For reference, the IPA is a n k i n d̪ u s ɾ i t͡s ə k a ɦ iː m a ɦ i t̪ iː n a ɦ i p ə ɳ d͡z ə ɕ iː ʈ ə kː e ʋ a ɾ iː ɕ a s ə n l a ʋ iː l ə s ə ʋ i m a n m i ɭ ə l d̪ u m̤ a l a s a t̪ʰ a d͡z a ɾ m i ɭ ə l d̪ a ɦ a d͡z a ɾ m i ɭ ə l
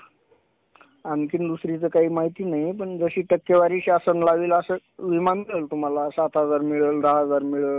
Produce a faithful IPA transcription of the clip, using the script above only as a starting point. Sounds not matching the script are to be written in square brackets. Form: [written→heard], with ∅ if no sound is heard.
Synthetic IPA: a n k i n d̪ u s ɾ i t͡s ə k a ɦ iː m a ɦ i t̪ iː n a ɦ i p ə ɳ d͡z ə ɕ iː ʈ ə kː e ʋ a ɾ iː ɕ a s ə n l a ʋ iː l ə s ə ʋ i m a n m i ɭ ə l [d̪→t̪] u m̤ a l a s a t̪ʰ a d͡z a ɾ m i ɭ ə l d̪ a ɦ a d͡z a ɾ m i ɭ ə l

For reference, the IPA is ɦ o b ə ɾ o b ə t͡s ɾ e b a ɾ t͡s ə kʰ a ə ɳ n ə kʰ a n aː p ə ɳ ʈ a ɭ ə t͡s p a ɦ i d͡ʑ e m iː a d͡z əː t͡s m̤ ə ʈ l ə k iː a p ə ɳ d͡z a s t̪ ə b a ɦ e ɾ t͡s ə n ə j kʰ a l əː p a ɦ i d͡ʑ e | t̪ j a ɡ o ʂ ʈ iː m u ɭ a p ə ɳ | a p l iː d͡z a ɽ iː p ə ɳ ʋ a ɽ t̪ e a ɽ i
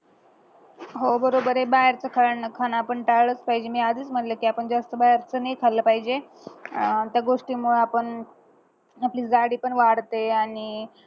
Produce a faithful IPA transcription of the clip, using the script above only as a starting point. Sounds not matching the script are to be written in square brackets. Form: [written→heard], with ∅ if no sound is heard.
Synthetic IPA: ɦ o b ə ɾ o b ə [t͡s→∅] ɾ e b a ɾ t͡s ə kʰ a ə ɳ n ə kʰ a n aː p ə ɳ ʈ a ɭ ə t͡s p a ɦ i d͡ʑ e m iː a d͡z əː t͡s m̤ ə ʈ l ə k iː a p ə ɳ d͡z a s t̪ ə b a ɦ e ɾ t͡s ə n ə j kʰ a l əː p a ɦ i d͡ʑ e | t̪ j a ɡ o ʂ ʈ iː m u ɭ a p ə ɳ | a p l iː d͡z a ɽ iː p ə ɳ ʋ a ɽ t̪ e a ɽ i

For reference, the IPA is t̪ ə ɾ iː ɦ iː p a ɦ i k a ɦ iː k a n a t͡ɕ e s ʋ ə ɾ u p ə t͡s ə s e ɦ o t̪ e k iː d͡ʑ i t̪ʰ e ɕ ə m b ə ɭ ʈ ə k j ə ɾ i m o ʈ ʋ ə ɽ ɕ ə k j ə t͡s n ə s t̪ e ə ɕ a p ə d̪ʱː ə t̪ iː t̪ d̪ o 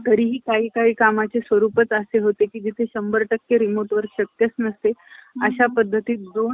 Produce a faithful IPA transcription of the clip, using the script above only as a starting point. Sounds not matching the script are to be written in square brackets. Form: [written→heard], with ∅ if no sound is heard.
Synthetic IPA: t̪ ə ɾ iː ɦ iː [p→k] a ɦ [i→iː] k a ɦ iː k a [n→m] a t͡ɕ e s ʋ ə ɾ u p ə t͡s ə s e ɦ o t̪ e k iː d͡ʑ i t̪ʰ e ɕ ə m b ə [ɭ→ɾ] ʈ ə k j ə ɾ i m o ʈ ʋ ə [ɽ→ɾ] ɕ ə k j ə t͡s n ə s t̪ e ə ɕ a p ə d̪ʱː ə t̪ iː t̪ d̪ o

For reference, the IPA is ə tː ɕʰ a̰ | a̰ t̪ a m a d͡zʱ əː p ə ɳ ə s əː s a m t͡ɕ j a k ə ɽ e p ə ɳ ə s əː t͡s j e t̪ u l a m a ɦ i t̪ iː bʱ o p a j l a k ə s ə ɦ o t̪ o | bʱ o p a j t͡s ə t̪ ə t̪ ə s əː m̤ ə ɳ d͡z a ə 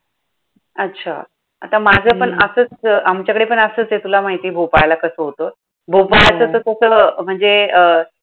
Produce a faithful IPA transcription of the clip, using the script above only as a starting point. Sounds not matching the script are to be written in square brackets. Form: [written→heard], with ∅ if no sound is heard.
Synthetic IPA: ə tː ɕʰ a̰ | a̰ t̪ a m a d͡zʱ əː p ə ɳ ə s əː [s→t͡s] a m t͡ɕ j a k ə ɽ e p ə ɳ ə s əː t͡s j e t̪ u l a m a ɦ i t̪ iː bʱ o p a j l a k ə s ə ɦ o t̪ o | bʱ o p a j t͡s ə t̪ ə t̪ ə s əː m̤ ə ɳ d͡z [a→e] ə

